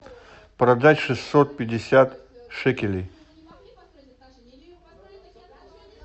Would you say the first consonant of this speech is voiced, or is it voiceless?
voiceless